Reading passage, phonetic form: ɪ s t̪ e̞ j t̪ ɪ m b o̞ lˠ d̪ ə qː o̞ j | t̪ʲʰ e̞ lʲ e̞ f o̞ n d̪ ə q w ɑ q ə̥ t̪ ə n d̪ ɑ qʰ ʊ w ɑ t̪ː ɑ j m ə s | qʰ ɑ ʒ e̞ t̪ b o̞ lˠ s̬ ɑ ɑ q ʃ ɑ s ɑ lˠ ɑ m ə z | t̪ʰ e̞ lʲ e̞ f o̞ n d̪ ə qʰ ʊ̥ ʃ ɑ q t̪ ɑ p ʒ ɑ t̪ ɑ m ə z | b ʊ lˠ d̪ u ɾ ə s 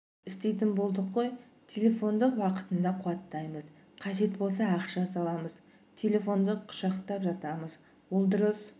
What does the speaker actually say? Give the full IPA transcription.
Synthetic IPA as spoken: ɪ s t̪ e̞ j t̪ ɪ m b o̞ lˠ d̪ ə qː o̞ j | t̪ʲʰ e̞ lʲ e̞ f o̞ n d̪ ə q w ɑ q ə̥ t̪ ə n d̪ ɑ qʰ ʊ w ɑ t̪ː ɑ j m ə z | qʰ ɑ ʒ e̞ t̪ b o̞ lˠ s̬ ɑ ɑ q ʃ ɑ s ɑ lˠ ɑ m ə z | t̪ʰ e̞ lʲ e̞ f o̞ n d̪ ə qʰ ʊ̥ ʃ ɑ q t̪ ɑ p ʒ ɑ t̪ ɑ m ə z | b ʊ lˠ d̪ ʊ ɾ ə s